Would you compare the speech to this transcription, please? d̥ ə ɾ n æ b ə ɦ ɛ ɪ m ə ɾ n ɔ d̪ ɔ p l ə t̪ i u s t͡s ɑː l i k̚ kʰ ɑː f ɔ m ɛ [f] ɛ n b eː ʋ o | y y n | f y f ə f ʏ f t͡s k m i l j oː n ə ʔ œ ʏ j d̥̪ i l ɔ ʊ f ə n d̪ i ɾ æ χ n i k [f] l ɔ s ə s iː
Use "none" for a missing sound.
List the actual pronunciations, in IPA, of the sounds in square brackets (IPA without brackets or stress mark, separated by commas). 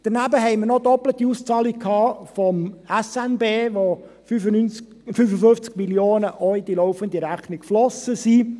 s, f